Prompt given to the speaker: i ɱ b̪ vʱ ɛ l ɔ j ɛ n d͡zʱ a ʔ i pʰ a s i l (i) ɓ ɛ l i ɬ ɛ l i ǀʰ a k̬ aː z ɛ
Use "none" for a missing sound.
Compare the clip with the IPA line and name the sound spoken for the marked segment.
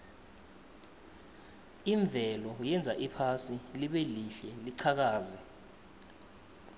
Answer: i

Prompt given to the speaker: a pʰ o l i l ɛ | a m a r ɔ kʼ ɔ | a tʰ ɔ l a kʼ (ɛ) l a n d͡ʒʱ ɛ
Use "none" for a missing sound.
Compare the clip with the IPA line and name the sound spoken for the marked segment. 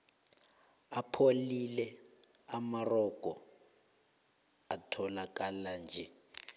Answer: a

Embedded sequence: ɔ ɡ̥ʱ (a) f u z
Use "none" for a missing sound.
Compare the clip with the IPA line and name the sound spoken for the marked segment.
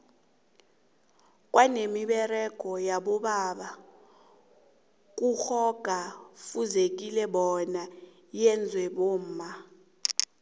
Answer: a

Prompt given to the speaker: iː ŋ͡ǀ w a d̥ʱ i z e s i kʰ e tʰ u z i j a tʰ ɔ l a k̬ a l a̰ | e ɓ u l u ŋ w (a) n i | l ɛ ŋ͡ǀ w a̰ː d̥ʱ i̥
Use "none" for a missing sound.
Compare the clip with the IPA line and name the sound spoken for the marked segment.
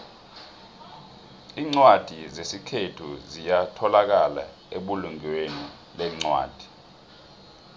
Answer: e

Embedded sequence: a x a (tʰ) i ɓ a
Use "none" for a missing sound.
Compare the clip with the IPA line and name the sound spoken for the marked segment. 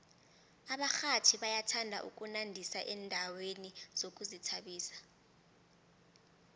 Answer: tʰ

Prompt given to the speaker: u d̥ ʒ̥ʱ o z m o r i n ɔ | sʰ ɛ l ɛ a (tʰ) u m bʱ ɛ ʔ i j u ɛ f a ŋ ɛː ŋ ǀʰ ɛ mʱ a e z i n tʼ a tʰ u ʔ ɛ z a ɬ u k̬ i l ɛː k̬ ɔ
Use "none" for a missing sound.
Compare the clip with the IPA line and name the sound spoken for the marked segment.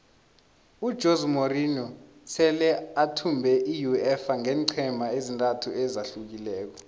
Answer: tʰ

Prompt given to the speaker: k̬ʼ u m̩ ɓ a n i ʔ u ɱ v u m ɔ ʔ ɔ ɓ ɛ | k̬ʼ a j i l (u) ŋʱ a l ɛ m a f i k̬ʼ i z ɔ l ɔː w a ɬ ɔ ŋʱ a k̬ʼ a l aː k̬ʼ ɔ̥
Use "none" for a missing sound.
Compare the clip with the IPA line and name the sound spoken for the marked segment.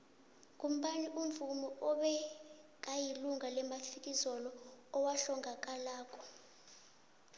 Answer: u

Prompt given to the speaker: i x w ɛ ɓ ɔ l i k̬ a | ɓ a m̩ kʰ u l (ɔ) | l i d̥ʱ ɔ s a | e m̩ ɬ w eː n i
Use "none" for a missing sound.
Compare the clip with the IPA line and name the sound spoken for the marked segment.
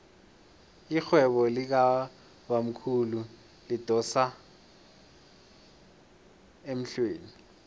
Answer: u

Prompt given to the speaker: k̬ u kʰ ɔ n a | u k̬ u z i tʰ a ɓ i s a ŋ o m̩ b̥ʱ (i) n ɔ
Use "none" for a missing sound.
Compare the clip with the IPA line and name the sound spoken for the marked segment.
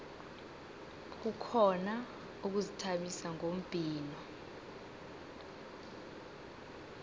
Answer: iː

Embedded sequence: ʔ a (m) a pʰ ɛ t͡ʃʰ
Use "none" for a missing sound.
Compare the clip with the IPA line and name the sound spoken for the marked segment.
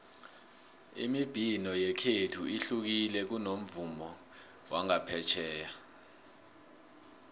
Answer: ŋ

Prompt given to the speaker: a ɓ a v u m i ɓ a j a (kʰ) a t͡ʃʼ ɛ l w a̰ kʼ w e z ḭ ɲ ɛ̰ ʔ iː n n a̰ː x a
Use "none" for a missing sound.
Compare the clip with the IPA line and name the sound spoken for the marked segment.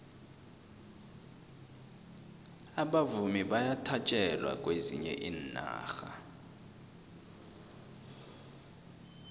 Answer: tʰ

